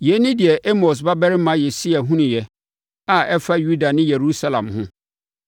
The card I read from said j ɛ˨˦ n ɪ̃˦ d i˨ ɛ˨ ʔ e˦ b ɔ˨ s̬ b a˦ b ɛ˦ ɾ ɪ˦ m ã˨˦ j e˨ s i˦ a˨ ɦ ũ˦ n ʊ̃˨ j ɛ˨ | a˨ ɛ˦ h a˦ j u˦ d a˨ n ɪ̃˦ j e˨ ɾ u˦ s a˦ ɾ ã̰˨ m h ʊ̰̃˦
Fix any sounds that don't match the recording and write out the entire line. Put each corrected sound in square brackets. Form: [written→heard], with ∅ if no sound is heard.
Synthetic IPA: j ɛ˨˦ n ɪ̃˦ d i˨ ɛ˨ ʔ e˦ [b→m] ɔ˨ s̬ b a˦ b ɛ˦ ɾ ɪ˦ m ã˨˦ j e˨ s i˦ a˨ ɦ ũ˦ n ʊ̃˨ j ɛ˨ | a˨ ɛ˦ [h→f] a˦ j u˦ d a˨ n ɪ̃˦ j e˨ ɾ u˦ s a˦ [ɾ→l] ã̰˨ m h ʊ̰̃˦

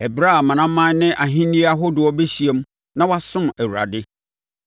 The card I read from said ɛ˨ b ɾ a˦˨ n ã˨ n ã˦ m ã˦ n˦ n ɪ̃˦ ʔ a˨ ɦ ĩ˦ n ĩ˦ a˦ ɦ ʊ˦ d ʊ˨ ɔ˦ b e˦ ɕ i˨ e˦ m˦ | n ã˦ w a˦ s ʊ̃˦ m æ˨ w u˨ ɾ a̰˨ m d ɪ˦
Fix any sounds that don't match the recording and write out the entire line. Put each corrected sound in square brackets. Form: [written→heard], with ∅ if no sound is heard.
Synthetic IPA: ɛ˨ b ɾ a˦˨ [n→m] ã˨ n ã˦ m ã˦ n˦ n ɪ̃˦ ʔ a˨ ɦ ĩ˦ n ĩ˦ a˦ ɦ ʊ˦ d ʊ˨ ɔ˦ b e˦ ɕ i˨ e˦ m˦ | n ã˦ w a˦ s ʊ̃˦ m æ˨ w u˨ ɾ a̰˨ [m→∅] d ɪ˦

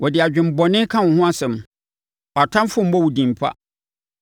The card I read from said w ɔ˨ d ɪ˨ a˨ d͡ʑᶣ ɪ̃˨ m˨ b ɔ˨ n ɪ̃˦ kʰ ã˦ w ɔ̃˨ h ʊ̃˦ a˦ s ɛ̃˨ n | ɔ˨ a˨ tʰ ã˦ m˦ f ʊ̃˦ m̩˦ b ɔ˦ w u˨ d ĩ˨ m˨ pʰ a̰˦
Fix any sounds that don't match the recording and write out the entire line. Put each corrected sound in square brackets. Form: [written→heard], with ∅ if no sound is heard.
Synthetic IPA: w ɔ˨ d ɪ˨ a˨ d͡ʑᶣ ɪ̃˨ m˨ b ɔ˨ n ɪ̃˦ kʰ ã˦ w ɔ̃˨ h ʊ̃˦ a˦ s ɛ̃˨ [n→m] | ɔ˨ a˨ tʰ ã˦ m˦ f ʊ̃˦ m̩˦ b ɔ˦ w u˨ d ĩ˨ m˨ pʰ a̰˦

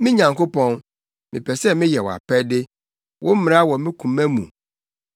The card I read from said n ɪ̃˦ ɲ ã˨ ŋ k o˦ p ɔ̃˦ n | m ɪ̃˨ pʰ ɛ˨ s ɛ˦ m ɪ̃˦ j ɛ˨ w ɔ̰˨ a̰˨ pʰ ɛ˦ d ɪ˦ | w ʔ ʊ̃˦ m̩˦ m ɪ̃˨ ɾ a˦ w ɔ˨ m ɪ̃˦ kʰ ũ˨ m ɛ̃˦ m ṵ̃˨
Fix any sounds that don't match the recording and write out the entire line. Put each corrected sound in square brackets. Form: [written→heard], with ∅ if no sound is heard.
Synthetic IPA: [n→m] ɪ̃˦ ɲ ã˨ ŋ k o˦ p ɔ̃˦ n | m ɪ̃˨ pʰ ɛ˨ s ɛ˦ m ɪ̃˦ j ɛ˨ w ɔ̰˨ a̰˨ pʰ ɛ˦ d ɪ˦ | w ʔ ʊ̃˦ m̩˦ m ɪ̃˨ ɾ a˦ w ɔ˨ m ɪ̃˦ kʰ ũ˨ m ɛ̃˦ m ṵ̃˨

